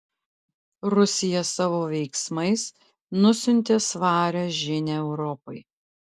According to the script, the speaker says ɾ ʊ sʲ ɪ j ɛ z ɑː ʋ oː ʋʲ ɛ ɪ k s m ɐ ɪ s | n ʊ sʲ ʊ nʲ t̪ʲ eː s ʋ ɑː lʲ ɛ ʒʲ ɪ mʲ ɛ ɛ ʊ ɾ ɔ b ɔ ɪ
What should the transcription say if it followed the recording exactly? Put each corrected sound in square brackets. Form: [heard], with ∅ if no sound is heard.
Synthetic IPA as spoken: ɾ ʊ sʲ ɪ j ɛ [s] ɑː ʋ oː ʋʲ ɛ ɪ k s m ɐ ɪ s | n ʊ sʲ ʊ nʲ t̪ʲ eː s ʋ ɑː [ɾʲ] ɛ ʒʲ ɪ [nʲ] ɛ ɛ ʊ ɾ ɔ [p] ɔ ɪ